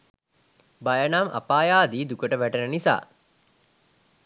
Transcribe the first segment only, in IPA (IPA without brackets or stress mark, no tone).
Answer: b